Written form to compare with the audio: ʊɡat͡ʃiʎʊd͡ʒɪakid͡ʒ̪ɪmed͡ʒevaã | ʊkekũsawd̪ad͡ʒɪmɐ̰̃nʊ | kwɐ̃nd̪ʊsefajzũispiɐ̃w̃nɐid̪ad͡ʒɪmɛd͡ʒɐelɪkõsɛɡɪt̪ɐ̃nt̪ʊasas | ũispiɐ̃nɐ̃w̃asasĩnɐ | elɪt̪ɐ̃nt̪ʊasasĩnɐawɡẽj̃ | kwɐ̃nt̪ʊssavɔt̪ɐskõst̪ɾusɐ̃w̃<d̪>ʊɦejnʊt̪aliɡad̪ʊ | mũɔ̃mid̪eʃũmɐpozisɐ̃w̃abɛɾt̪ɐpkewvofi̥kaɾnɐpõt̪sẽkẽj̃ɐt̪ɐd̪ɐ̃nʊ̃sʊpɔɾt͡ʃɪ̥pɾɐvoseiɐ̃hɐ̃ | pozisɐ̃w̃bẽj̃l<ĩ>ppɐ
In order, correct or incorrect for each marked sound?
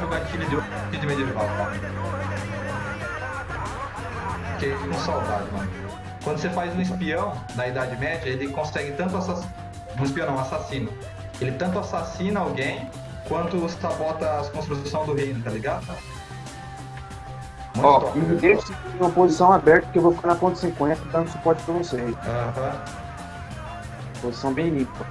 correct, correct

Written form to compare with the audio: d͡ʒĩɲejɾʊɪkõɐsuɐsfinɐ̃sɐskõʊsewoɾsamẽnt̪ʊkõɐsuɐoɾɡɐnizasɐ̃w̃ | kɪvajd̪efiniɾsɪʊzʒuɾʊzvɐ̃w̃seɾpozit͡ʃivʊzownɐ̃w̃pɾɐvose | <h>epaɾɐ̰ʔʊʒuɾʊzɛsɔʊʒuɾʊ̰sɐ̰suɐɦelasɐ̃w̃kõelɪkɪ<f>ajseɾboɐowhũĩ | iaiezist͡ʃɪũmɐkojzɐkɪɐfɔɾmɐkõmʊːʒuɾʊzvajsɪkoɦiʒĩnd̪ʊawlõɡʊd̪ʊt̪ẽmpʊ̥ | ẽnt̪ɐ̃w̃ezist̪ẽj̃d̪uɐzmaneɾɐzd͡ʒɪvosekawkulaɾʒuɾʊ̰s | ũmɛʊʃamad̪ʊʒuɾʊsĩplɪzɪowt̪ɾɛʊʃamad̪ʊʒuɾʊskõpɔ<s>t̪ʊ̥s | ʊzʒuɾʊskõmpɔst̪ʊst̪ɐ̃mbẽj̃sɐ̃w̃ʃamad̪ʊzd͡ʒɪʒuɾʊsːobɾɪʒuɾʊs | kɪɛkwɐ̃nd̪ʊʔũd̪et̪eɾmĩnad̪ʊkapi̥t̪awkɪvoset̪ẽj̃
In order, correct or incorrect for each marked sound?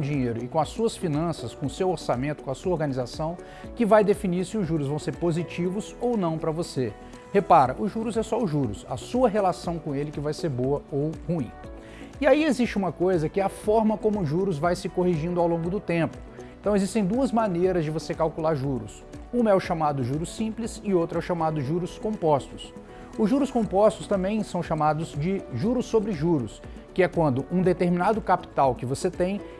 correct, incorrect: v, correct

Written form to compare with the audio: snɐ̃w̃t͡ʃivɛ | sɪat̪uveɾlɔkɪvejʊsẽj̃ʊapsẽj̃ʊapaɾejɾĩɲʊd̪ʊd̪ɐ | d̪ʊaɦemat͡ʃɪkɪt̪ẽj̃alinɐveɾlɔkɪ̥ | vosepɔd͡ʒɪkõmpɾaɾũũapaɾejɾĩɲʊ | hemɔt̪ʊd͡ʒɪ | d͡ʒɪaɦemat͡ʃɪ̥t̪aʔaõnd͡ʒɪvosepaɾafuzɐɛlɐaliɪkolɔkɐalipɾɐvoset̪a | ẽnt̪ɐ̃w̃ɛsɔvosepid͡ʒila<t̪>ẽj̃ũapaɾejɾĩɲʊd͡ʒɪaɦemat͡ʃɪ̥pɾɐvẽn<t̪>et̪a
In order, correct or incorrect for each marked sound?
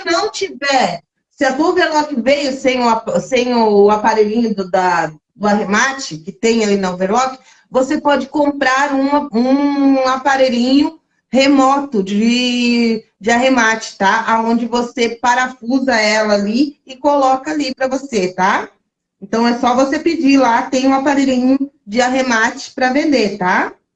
correct, incorrect: d̪

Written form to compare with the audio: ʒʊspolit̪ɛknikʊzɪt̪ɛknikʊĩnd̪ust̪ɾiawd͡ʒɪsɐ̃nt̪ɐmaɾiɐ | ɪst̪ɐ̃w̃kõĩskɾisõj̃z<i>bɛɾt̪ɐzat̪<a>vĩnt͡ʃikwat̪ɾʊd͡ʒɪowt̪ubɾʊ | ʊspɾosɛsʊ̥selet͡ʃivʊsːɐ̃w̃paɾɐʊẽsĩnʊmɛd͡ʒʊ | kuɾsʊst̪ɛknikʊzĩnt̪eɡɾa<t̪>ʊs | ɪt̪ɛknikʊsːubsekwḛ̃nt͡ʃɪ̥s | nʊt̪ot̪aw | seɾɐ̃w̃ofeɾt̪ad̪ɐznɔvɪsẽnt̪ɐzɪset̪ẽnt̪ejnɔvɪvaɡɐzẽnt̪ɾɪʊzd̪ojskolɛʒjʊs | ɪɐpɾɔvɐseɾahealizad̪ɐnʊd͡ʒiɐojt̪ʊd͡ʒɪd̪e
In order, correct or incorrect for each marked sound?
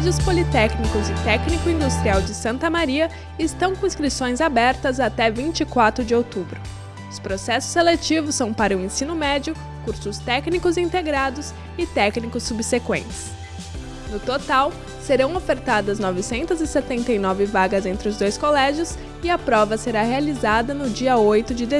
incorrect: a, incorrect: ɛ, incorrect: d̪

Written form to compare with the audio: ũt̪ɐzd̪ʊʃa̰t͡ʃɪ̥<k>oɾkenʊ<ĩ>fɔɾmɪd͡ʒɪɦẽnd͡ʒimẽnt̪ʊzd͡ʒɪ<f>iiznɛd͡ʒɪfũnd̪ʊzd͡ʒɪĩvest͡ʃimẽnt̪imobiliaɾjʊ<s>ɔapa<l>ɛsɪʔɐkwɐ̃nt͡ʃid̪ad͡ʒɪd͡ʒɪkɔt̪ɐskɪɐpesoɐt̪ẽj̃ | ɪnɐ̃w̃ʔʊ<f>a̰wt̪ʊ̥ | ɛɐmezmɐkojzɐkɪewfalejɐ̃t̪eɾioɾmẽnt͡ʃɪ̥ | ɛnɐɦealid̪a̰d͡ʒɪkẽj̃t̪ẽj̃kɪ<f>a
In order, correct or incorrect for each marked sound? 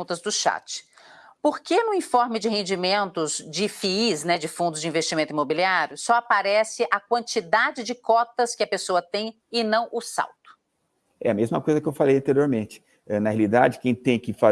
incorrect: p, correct, correct, correct, incorrect: ɾ, incorrect: s, correct

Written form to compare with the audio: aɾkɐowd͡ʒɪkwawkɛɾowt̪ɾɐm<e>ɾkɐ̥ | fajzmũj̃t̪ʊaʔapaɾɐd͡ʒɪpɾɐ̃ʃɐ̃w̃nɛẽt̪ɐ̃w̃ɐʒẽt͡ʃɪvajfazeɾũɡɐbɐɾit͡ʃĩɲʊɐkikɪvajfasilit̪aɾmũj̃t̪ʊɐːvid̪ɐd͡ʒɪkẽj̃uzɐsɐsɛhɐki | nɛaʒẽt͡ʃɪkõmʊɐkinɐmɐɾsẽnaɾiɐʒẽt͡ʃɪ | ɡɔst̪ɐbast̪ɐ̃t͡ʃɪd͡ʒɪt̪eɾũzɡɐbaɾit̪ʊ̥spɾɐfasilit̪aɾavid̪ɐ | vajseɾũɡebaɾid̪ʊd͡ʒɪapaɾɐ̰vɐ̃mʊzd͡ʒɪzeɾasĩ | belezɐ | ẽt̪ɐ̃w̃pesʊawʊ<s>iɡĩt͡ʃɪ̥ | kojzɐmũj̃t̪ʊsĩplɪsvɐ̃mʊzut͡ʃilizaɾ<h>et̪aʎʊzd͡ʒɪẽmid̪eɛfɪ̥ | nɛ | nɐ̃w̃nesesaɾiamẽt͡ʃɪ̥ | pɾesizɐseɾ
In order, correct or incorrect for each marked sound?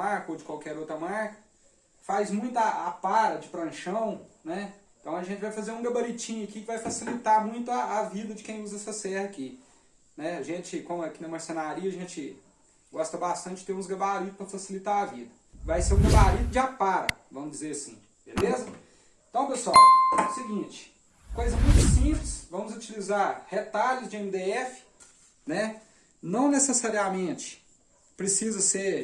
incorrect: a, correct, correct

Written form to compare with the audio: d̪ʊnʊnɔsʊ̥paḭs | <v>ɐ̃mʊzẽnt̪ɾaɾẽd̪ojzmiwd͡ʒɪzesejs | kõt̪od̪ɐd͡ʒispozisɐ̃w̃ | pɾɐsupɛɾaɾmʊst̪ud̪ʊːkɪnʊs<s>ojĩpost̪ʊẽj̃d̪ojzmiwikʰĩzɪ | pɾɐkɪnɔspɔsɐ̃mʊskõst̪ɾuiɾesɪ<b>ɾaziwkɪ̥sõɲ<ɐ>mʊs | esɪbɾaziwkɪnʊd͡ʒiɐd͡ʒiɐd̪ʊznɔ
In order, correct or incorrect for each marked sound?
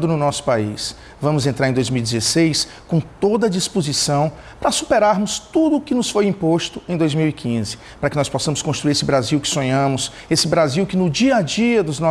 correct, incorrect: f, correct, incorrect: ɐ̃

